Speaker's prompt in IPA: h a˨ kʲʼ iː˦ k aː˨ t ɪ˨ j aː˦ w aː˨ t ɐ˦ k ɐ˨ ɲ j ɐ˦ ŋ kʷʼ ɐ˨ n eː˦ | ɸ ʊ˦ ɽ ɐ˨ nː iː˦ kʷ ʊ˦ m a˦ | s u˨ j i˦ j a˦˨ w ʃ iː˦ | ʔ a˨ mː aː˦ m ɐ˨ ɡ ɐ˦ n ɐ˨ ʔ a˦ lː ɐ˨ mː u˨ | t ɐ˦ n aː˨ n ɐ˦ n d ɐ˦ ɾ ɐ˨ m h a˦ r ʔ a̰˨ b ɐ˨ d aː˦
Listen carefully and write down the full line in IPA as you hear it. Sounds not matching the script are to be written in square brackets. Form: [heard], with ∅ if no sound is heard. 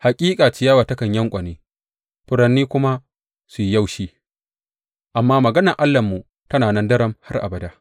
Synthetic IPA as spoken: h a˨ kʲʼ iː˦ [kʼ] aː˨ [t͡ʃ] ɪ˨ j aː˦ w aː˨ t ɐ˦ k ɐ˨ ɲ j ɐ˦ ŋ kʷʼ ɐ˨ n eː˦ | ɸ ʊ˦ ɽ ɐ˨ nː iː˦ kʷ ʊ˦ m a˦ | s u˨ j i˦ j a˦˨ w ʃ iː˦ | ʔ a˨ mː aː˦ m ɐ˨ ɡ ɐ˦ n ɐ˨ ʔ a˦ lː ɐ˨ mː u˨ | t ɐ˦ n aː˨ n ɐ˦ n d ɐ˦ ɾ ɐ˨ m h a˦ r ʔ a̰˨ b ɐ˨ d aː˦

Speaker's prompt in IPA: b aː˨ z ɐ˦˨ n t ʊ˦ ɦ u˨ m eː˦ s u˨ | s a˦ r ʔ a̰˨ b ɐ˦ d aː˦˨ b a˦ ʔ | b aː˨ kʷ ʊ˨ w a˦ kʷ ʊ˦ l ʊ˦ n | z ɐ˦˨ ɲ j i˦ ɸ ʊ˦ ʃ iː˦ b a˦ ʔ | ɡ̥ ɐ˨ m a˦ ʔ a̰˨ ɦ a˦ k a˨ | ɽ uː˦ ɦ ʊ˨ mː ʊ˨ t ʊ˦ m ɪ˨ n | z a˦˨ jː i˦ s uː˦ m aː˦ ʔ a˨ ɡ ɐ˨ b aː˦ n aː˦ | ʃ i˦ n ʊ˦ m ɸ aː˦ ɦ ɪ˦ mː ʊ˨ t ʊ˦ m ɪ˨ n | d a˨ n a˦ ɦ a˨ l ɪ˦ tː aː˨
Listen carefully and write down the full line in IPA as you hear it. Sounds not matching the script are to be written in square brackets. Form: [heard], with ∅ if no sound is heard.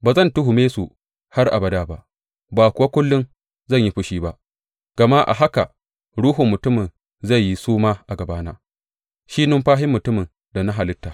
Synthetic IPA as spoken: b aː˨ z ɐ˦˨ n t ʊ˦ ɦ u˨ m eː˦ s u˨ | [h] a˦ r ʔ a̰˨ b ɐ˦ d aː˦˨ b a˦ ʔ | b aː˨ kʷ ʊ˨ w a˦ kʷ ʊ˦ [lː] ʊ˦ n | z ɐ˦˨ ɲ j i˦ ɸ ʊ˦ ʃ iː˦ b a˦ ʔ | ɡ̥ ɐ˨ m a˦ ʔ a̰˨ ɦ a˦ k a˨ | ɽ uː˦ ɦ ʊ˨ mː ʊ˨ t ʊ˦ m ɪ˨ n | z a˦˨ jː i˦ s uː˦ m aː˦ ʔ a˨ ɡ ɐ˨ b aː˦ n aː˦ | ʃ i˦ n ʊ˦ m ɸ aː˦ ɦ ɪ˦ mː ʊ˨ t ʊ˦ m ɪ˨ n | d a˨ n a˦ ɦ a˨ l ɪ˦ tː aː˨

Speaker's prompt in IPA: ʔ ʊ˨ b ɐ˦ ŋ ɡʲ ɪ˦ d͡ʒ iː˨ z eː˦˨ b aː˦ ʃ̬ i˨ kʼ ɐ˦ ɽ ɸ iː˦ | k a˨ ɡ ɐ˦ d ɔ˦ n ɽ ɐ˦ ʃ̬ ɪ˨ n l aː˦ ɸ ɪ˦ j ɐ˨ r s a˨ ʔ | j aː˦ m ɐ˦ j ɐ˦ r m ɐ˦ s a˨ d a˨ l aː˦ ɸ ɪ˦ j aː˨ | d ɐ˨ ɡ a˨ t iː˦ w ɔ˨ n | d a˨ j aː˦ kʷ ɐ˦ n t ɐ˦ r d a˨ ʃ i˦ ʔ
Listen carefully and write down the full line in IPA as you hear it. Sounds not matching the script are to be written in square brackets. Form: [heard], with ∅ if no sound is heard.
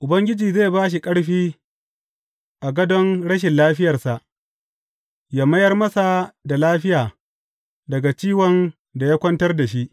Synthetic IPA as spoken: ʔ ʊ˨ b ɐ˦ ŋ ɡʲ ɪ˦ d͡ʒ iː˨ z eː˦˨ b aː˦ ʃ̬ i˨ kʼ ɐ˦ ɽ ɸ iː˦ | [ʔ] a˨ ɡ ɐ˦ d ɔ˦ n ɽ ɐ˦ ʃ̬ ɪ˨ n l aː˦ ɸ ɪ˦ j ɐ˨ r s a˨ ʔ | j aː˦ m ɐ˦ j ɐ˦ r m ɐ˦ s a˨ d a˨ l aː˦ ɸ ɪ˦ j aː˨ | d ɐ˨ ɡ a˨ [t͡ʃ] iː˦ w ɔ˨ n | d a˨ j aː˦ kʷ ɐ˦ n t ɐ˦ r d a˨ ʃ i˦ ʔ

